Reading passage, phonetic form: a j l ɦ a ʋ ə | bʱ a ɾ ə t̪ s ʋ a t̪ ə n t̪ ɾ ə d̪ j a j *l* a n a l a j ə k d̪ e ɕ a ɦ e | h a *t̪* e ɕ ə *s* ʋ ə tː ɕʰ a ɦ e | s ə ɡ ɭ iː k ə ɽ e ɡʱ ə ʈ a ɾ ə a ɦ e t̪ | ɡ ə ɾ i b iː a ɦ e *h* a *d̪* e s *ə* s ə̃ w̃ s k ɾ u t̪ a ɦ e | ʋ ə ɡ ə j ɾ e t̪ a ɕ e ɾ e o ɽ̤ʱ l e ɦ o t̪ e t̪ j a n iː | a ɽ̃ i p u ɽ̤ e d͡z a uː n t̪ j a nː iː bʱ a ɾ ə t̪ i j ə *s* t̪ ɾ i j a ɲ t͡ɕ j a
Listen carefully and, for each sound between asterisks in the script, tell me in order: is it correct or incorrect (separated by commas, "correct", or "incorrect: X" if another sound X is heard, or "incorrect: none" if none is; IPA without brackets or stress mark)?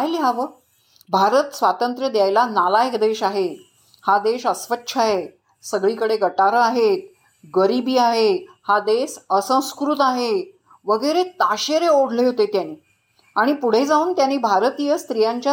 correct, incorrect: d̪, correct, correct, correct, correct, correct